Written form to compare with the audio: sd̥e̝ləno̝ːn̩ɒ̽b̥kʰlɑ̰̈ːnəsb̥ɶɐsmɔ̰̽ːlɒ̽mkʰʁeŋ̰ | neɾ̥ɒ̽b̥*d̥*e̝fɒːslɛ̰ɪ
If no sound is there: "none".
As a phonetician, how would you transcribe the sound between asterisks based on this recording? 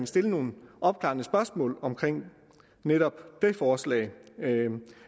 d̥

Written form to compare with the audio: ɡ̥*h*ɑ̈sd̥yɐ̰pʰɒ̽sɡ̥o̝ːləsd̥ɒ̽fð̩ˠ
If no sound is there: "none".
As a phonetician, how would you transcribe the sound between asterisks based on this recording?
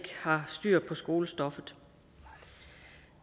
h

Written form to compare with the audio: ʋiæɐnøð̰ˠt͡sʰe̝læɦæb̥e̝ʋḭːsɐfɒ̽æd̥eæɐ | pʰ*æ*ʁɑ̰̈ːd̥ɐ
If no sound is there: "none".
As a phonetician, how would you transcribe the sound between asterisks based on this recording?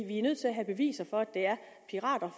i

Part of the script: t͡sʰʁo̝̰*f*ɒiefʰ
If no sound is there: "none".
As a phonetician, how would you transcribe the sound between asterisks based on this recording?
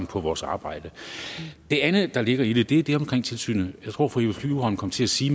f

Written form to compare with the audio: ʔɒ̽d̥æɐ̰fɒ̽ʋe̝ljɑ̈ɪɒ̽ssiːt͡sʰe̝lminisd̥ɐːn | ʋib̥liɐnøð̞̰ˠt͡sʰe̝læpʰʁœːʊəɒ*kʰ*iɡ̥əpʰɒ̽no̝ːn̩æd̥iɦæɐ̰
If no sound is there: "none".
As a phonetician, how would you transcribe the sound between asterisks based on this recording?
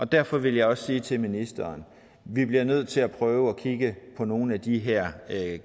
kʰ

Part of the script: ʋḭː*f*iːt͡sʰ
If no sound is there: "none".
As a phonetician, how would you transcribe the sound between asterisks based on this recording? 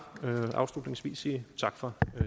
s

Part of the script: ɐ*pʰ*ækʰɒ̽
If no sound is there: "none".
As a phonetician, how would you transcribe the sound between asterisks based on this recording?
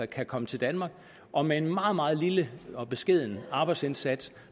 kʰ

